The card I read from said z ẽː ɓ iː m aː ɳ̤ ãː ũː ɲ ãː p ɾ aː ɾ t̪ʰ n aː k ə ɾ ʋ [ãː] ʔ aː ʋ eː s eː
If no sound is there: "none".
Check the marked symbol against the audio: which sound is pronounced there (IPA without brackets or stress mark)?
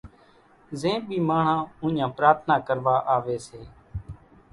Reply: aː